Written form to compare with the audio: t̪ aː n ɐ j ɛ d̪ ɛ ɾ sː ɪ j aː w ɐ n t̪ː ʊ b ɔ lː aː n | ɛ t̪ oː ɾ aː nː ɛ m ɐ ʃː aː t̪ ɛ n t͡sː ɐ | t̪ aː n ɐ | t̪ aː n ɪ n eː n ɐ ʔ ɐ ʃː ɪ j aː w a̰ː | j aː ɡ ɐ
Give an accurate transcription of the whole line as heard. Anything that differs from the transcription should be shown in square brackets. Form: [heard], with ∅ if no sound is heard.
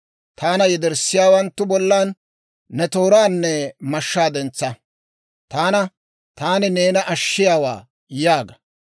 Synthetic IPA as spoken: t̪ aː n ɐ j ɛ d̪ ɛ ɾ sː ɪ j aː w ɐ n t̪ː ʊ b ɔ lː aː [nː] | ɛ t̪ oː ɾ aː nː ɛ m ɐ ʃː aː [d̪] ɛ n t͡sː ɐ | t̪ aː n ɐ | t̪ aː n ɪ n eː n ɐ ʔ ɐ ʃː ɪ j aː w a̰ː | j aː ɡ ɐ